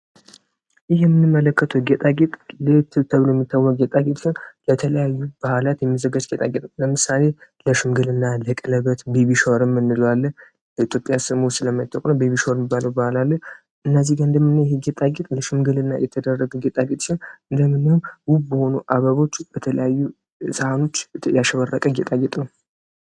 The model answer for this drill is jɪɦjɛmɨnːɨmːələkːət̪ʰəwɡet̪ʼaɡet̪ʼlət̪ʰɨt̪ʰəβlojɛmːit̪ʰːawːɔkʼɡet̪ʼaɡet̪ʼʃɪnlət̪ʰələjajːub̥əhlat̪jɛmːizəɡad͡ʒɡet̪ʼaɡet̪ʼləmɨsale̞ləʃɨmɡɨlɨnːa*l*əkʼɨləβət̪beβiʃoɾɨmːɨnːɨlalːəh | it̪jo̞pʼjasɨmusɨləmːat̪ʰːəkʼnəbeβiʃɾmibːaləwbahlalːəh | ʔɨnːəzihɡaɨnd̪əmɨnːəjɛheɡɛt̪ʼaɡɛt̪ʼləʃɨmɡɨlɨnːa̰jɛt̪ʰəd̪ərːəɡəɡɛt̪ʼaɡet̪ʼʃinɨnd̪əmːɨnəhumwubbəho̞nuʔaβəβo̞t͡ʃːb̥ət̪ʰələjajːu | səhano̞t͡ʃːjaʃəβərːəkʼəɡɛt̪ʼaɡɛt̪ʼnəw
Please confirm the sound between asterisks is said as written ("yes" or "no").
yes